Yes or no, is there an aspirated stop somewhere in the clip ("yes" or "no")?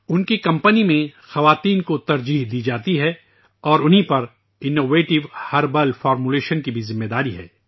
no